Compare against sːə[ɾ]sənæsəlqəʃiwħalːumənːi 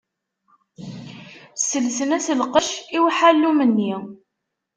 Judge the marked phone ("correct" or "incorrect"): incorrect